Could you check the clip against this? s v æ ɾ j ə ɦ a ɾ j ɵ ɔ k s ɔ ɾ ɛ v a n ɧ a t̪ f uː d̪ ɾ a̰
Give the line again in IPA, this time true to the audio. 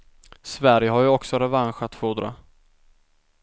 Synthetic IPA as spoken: s v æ ɾ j ə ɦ a ɾ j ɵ ɔ k s ɔ ɾ ɛ v a n ɧ a t̪ f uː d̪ ɾ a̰